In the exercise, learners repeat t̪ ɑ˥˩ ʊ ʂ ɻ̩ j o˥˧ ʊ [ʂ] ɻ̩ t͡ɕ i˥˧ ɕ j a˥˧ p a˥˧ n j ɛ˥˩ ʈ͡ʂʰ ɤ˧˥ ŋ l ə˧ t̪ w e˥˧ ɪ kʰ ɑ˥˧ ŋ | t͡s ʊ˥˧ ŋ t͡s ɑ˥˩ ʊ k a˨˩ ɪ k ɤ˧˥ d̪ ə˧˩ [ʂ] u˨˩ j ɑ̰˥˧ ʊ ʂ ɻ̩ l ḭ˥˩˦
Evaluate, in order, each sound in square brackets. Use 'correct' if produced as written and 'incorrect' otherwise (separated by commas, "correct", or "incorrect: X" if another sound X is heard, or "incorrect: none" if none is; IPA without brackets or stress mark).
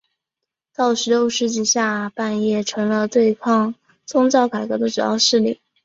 correct, incorrect: ʈ͡ʂ